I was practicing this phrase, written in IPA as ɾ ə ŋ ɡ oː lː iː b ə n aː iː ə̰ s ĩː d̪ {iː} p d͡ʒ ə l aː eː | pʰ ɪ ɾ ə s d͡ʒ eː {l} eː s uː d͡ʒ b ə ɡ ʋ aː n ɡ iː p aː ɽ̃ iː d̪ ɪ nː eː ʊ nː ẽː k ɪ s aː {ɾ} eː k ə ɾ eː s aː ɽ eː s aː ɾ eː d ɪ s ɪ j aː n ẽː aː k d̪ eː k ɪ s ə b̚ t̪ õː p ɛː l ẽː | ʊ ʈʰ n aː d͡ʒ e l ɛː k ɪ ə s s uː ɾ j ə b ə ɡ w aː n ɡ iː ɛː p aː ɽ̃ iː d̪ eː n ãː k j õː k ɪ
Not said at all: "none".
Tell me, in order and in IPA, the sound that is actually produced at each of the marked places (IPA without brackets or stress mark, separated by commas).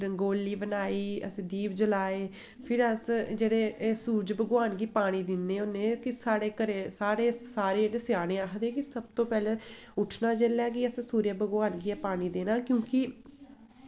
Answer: iː, ɽ, ɽ